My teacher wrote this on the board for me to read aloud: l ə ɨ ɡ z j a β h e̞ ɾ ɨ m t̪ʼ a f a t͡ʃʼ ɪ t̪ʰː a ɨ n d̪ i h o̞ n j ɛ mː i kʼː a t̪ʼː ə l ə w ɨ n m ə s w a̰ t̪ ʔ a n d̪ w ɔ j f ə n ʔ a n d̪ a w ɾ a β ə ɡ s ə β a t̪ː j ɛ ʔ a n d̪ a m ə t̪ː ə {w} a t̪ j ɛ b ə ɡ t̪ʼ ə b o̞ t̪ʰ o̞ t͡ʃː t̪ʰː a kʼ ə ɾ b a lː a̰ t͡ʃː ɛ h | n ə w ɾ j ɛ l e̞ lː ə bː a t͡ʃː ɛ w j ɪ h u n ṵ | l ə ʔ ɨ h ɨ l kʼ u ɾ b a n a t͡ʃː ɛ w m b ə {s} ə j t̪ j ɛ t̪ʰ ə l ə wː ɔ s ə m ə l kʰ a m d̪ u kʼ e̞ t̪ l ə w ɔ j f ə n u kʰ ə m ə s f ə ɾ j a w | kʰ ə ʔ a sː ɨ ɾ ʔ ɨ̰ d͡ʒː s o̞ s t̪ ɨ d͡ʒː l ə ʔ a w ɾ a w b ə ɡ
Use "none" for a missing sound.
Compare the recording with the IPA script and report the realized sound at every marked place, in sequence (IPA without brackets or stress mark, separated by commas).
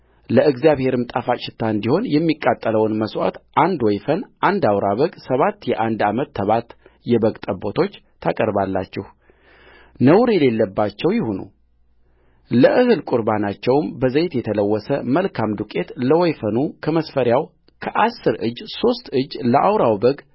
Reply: β, z